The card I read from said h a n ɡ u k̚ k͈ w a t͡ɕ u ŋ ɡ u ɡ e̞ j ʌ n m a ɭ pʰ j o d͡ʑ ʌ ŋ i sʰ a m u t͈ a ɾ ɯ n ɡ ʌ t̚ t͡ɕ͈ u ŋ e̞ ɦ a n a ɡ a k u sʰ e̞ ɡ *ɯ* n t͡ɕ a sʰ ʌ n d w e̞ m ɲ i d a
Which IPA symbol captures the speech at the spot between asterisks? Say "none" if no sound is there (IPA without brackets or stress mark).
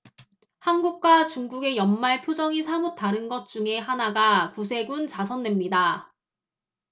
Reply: u